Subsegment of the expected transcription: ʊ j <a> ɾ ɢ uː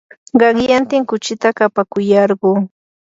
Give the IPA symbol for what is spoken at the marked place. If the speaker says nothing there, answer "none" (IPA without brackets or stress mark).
ɑ